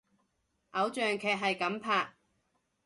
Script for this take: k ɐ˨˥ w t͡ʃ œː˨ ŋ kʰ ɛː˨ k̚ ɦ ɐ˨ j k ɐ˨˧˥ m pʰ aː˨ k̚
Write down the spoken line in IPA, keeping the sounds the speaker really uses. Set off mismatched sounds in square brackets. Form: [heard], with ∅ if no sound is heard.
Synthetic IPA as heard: [ʔ] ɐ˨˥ w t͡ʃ œː˨ ŋ kʰ ɛː˨ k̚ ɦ ɐ˨ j k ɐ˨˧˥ m pʰ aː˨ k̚